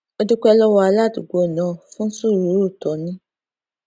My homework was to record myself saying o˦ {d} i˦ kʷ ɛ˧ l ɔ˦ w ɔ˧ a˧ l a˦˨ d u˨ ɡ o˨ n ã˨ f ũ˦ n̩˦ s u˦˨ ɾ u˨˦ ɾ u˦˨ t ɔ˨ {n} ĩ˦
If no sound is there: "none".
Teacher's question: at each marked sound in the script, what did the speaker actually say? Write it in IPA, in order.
d, n

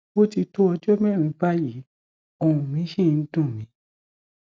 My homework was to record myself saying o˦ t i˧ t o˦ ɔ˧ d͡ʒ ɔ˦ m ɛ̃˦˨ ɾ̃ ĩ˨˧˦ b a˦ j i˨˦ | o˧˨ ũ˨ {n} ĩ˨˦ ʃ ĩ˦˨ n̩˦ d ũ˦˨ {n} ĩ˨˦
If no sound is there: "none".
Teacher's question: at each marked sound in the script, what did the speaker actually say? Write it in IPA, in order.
m, m

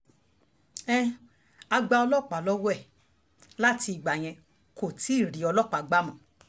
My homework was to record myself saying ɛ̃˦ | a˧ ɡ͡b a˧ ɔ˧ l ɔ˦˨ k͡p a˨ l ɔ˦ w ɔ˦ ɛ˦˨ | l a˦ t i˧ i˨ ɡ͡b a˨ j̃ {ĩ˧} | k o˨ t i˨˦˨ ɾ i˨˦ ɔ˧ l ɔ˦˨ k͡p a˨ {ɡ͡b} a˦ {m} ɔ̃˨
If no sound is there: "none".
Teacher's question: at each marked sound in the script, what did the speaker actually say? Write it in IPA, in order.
ɛ̃˧, ɡ͡b, m

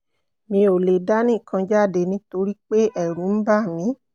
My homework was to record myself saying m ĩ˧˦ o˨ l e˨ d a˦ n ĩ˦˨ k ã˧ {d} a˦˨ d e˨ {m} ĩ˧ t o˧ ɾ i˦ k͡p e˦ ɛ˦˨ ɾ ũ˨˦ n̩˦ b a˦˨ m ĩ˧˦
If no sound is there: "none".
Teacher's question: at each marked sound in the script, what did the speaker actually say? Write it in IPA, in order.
d͡ʒ, n

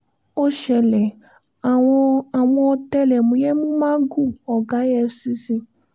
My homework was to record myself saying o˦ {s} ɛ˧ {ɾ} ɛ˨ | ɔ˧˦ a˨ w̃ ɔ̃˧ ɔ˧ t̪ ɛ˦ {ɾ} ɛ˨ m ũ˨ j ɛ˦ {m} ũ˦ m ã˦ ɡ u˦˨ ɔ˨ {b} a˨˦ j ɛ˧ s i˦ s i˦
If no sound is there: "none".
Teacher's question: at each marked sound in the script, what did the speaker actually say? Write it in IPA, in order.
ʃ, l, l, m, ɡ

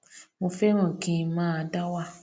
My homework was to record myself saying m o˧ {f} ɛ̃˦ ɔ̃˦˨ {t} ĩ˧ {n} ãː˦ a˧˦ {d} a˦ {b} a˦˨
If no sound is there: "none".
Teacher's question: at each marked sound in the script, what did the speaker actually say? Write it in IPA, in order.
f, k, m, d, w

